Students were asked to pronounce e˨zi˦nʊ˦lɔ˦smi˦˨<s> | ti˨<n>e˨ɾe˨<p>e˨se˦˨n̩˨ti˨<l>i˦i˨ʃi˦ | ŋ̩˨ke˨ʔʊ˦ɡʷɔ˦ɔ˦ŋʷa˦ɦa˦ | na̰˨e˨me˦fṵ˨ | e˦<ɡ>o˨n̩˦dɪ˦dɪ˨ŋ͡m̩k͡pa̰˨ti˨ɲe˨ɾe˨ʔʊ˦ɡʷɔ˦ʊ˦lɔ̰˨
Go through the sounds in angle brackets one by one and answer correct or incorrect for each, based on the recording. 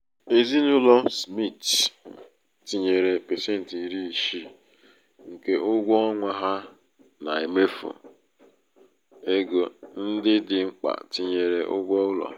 incorrect: t, incorrect: ɲ, correct, incorrect: ɾ, correct

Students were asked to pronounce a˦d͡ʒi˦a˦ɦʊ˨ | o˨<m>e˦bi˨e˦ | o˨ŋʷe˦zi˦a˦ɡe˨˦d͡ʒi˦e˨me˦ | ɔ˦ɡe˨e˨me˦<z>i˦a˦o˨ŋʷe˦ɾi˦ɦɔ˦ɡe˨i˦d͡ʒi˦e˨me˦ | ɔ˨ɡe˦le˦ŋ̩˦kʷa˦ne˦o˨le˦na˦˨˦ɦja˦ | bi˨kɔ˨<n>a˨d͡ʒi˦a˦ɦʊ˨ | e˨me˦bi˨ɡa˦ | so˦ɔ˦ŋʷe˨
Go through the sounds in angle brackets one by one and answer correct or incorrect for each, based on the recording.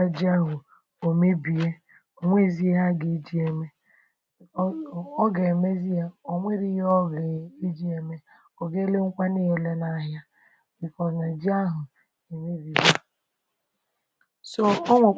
correct, correct, correct

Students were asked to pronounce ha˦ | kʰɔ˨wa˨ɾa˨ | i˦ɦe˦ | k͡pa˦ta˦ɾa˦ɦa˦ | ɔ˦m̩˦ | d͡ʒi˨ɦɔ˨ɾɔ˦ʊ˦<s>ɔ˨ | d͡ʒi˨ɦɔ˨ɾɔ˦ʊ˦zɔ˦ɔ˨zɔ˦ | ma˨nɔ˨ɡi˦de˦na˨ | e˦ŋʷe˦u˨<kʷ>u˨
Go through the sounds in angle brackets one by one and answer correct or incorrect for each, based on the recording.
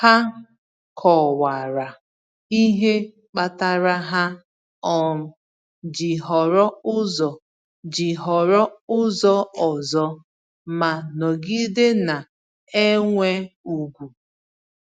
incorrect: z, incorrect: ɡʷ

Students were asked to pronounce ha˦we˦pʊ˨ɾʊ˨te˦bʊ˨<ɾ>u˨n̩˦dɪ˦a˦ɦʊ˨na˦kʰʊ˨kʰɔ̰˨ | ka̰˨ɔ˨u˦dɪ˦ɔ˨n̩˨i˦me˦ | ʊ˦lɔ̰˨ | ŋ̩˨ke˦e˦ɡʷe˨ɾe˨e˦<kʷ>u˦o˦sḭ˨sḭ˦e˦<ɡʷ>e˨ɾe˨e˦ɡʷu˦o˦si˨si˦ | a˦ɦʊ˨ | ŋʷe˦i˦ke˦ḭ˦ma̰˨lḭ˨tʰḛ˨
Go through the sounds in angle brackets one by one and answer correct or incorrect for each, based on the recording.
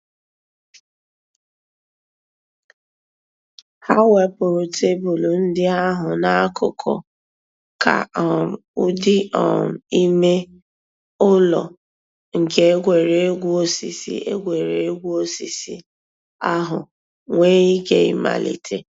incorrect: l, incorrect: ɡʷ, correct

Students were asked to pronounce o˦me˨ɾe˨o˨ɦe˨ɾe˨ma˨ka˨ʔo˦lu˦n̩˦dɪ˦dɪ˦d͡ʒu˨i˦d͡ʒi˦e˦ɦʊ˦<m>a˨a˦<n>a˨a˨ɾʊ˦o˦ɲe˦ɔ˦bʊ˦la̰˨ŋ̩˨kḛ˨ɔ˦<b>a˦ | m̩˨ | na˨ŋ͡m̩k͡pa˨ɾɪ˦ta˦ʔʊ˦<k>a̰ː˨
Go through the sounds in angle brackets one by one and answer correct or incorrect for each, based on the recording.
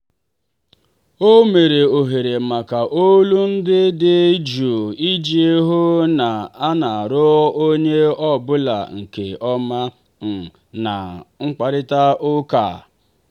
incorrect: n, correct, incorrect: m, correct

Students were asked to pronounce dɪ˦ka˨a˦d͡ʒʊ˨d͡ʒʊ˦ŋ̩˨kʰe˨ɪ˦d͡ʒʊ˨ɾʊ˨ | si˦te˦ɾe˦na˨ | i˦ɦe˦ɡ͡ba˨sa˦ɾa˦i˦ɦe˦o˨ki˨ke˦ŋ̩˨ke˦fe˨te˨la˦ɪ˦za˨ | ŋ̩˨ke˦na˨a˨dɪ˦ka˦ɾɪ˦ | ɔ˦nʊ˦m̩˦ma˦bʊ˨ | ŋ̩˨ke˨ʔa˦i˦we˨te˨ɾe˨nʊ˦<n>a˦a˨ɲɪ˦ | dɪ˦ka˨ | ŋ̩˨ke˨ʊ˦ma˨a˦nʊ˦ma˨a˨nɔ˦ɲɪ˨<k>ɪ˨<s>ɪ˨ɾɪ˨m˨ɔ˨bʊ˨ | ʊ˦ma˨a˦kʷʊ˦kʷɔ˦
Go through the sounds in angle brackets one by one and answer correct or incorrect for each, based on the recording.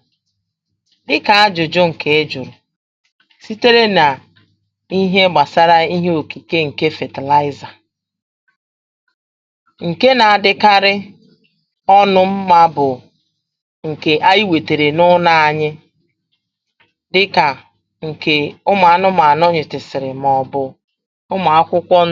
correct, incorrect: t, correct

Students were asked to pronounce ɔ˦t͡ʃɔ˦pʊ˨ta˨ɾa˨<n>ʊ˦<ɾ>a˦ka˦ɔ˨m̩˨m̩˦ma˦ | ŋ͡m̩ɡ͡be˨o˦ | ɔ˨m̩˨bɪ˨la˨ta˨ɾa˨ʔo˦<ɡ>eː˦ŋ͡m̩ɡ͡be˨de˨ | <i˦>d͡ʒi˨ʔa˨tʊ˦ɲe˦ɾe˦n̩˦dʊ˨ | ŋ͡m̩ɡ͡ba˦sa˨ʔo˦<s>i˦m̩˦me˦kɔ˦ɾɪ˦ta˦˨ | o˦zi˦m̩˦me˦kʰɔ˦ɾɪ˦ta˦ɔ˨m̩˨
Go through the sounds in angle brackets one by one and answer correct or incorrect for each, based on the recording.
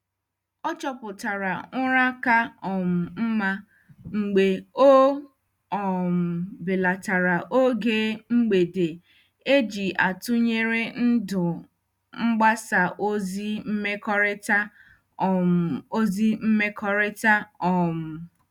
incorrect: ŋ, correct, correct, incorrect: e˦, incorrect: z

